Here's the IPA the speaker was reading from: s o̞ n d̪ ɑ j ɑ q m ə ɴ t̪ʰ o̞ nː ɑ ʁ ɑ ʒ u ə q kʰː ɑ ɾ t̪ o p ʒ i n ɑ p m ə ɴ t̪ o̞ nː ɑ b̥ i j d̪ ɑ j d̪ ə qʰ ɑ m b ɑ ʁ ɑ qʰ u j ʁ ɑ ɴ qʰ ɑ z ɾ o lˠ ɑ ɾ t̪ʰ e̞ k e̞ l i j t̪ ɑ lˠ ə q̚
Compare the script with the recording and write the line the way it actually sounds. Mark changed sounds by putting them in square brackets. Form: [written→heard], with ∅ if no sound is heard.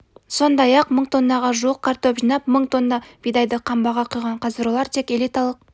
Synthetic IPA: s o̞ n d̪ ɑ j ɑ q m ə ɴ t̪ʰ o̞ nː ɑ ʁ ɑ ʒ u ə q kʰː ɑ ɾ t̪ o p ʒ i n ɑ p m ə ɴ t̪ o̞ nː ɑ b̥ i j d̪ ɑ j d̪ ə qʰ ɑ m b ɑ ʁ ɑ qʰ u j ʁ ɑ ɴ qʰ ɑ z ɾ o lˠ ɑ ɾ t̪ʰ e̞ k e̞ l i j t̪ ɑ lˠ ə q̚